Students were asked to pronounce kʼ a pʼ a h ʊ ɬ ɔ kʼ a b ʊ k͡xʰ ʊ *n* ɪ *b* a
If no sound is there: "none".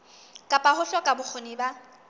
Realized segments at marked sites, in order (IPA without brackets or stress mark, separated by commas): n, b